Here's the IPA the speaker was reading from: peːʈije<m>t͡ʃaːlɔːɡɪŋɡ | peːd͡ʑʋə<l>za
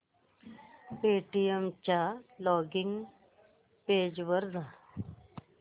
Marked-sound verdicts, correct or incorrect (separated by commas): correct, incorrect